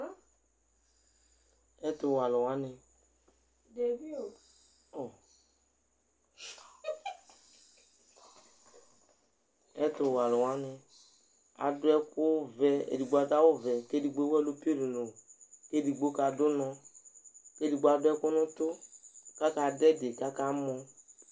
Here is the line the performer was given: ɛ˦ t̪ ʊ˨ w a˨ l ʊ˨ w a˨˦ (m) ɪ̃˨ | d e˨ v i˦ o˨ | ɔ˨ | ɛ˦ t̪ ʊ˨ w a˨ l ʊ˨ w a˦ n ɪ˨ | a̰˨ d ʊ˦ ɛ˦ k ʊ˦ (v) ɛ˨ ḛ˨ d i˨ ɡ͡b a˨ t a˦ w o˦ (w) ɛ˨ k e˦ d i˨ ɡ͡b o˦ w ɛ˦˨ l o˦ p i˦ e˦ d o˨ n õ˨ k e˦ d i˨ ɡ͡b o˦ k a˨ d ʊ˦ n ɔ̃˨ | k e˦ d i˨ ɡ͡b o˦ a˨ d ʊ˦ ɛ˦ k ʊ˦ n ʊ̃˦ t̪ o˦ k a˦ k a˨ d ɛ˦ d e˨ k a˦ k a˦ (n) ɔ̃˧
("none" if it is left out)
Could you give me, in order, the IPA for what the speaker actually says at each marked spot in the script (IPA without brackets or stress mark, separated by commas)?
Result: n, v, v, m